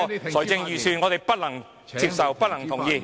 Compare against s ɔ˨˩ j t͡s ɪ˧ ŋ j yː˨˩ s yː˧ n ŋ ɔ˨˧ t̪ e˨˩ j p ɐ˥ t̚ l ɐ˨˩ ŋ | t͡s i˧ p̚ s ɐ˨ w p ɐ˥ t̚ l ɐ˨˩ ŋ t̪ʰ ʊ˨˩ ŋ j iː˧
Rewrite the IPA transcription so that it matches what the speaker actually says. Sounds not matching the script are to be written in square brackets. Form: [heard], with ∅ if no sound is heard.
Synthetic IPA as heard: s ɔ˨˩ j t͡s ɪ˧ ŋ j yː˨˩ s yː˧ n ŋ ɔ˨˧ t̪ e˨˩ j p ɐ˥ t̚ l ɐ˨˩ ŋ | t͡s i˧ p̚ s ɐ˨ w p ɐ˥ t̚ l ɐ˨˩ ŋ t̪ʰ ʊ˨˩ ŋ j iː˧